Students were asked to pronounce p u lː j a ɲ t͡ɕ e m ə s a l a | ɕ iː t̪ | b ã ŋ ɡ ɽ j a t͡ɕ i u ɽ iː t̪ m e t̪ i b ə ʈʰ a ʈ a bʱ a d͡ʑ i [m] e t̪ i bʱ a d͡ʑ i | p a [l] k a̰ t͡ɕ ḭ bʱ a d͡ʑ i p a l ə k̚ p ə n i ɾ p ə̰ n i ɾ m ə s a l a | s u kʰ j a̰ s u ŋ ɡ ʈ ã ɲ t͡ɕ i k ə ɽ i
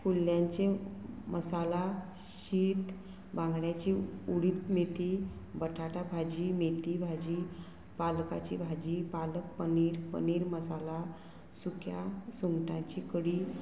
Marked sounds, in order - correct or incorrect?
correct, correct

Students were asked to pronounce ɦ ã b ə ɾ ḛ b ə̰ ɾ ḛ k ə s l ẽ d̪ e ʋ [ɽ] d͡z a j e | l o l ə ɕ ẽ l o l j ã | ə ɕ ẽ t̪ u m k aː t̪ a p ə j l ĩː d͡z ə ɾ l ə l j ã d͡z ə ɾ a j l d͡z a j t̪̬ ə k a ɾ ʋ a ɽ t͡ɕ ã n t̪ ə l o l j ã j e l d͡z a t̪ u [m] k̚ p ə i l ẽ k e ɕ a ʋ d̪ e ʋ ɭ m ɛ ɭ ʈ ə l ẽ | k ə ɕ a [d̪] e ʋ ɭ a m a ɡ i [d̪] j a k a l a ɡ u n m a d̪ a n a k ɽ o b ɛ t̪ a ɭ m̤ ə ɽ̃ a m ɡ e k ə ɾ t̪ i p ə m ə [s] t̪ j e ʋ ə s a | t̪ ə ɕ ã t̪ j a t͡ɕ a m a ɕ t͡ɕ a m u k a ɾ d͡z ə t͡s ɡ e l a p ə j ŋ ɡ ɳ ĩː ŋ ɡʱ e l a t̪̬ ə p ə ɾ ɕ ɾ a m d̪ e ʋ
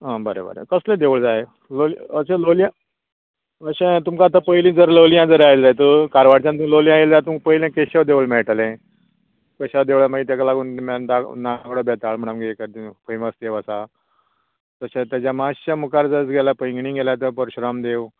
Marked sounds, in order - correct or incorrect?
incorrect: ɭ, correct, correct, incorrect: t̪, correct

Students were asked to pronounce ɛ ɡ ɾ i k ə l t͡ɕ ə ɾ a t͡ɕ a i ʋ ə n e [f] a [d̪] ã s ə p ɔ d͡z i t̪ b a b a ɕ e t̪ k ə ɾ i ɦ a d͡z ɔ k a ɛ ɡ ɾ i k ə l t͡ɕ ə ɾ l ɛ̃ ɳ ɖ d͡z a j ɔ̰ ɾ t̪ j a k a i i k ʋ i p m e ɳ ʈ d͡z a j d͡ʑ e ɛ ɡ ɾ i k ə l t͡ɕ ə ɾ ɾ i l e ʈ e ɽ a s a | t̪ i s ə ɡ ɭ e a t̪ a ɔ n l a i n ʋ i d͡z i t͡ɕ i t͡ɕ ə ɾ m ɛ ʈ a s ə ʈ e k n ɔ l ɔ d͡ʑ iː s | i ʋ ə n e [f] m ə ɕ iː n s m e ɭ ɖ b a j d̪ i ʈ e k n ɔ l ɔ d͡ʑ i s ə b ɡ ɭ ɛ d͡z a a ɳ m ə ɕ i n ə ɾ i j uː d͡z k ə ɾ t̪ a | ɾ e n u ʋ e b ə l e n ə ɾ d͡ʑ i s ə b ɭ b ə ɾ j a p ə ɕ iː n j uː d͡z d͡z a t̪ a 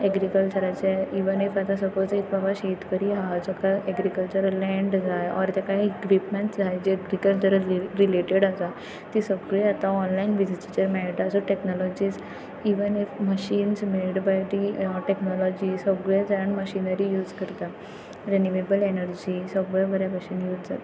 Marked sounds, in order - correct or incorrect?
correct, incorrect: t̪, correct

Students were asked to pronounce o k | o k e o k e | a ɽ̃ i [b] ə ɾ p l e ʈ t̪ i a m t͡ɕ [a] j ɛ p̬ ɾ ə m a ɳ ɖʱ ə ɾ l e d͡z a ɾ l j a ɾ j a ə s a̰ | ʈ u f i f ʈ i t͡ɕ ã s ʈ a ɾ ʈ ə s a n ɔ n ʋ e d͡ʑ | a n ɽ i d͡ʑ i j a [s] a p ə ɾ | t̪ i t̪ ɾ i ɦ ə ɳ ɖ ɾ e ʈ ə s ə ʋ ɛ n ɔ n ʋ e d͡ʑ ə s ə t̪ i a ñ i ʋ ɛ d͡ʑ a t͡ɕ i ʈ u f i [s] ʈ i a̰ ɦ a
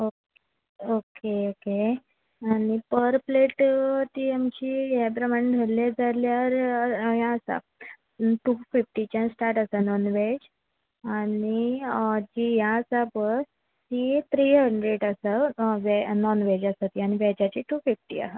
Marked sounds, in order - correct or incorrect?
incorrect: p, incorrect: i, correct, incorrect: f

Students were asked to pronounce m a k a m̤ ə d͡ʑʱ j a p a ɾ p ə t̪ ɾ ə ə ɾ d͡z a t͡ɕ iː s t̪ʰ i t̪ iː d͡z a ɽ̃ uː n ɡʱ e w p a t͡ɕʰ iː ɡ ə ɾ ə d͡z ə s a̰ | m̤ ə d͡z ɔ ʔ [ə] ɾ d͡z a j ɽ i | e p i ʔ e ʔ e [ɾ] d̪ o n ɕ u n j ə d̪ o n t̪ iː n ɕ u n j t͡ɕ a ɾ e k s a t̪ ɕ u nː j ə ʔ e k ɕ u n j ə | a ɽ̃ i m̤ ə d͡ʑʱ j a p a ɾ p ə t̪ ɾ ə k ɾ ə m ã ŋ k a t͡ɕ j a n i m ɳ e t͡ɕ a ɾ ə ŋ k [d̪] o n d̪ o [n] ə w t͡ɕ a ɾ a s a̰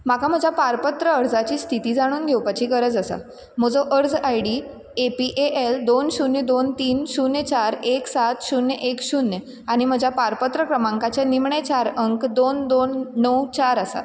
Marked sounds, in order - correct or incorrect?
correct, incorrect: l, correct, incorrect: nː

